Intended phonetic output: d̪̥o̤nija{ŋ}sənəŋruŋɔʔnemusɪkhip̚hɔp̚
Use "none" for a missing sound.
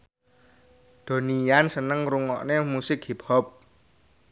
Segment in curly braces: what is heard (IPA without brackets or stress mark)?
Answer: n